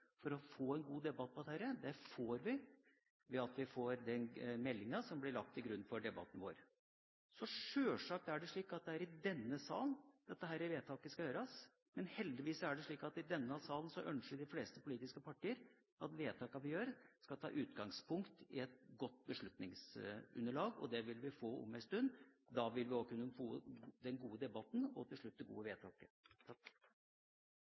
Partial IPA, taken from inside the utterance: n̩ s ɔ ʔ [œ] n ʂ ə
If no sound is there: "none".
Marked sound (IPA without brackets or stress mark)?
œ